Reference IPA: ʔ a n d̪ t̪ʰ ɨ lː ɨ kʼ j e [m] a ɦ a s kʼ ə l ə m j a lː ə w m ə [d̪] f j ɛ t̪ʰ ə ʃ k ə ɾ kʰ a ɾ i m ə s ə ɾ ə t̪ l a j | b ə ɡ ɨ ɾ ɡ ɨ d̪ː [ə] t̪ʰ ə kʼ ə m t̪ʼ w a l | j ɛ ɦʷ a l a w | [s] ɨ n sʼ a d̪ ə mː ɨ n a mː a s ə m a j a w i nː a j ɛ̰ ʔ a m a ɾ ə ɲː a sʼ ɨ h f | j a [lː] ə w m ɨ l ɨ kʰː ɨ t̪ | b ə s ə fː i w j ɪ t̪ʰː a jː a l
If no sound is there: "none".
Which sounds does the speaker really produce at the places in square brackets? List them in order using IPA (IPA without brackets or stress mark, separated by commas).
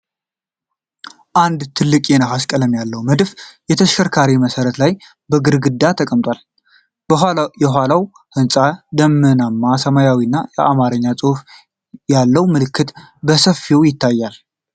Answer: n, d̪, a, h, lː